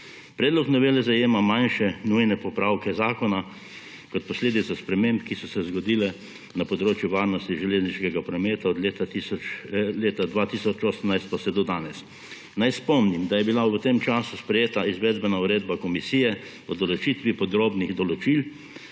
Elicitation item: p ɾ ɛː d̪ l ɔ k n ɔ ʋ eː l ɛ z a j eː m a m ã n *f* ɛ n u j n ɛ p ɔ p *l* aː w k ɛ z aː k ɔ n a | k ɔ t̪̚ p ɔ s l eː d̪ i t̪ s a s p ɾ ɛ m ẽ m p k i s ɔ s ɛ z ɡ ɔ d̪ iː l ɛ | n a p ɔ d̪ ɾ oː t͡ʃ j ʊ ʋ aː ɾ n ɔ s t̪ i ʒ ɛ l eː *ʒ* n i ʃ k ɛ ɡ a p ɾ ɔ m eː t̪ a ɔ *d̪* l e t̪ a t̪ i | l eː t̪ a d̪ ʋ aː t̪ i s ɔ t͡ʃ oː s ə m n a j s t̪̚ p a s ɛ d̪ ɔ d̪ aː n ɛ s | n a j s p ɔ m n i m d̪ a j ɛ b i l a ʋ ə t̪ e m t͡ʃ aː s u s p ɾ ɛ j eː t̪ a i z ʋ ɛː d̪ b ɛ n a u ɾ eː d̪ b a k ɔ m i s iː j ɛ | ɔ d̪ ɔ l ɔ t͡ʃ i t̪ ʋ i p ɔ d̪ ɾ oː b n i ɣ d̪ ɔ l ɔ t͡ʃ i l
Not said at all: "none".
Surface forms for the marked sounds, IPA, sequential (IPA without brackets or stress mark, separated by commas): ʃ, ɾ, z, d̪